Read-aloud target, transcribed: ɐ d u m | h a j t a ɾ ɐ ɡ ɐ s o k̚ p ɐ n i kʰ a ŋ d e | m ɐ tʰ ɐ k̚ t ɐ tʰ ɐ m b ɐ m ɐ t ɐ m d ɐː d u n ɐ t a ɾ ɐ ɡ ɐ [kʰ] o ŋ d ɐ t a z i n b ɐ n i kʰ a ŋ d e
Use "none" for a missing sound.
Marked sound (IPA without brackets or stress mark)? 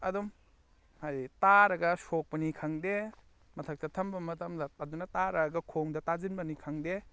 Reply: kʰ